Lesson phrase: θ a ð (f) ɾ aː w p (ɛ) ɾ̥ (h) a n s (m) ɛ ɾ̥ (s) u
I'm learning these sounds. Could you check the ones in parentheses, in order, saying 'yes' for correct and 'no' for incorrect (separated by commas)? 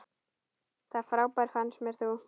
yes, no, no, yes, no